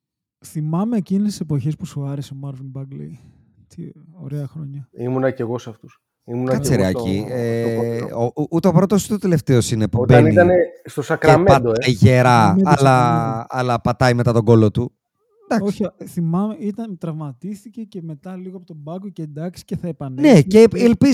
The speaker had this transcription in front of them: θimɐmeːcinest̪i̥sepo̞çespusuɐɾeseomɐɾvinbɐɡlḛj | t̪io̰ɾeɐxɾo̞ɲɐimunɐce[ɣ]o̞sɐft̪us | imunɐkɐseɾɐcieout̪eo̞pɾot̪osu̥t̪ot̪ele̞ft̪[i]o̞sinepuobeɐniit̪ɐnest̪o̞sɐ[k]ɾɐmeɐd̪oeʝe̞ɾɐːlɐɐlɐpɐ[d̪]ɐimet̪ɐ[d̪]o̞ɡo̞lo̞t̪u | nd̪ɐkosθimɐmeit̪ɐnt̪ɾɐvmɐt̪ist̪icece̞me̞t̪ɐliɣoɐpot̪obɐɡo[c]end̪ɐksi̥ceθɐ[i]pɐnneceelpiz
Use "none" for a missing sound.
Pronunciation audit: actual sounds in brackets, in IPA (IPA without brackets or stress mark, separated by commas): ɣ, e, k, t̪, t̪, c, e